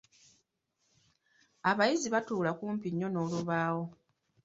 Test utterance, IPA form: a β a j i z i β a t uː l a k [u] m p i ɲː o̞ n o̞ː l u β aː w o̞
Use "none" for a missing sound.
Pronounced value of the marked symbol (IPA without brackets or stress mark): uː